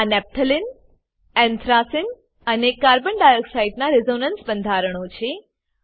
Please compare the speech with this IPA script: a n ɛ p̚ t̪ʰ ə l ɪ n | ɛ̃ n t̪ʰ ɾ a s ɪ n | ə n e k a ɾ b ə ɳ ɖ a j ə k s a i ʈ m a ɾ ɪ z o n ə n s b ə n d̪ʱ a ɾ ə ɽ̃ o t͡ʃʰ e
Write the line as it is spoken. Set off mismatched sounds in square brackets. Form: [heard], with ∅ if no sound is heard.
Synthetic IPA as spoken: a n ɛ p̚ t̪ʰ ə l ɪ n | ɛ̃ n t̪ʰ ɾ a s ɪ n | ə n e k a ɾ b ə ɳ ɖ a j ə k s a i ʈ [n] a ɾ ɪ z o n ə n s b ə n d̪ʱ a ɾ ə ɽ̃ o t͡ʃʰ e